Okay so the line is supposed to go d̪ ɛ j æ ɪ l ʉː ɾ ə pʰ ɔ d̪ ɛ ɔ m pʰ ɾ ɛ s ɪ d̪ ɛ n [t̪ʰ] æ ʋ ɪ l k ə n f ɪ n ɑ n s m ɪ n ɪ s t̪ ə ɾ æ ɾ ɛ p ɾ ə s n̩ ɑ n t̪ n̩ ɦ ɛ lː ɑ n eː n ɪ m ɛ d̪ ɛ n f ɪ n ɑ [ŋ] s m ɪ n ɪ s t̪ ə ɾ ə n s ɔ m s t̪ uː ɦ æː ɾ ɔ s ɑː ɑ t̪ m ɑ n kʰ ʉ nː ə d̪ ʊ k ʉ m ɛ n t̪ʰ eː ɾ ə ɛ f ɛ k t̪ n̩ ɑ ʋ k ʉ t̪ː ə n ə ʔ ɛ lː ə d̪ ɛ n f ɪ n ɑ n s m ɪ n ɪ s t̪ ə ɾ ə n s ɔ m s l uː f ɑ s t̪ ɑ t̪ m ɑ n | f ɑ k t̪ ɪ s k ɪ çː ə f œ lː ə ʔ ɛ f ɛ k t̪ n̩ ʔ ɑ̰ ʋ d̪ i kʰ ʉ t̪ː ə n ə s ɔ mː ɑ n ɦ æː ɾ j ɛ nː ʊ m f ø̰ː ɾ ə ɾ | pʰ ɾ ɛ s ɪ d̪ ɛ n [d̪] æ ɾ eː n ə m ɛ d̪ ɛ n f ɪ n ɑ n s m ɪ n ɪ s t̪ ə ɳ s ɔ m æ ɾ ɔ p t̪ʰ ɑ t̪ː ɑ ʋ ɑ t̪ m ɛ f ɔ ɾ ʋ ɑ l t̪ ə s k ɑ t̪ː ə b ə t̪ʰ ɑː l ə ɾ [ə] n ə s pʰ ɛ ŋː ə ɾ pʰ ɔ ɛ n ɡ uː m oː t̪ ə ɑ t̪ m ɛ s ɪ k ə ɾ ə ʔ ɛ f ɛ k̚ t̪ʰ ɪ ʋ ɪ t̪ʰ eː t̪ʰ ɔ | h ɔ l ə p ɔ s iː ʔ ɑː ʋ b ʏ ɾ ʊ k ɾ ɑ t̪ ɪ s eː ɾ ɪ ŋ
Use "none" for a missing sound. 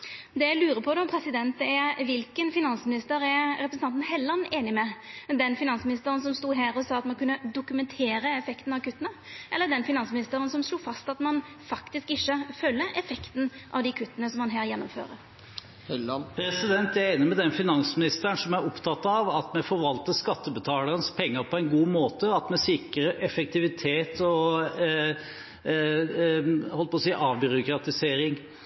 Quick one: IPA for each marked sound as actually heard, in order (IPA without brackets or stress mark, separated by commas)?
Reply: t̪, n, t̪, ə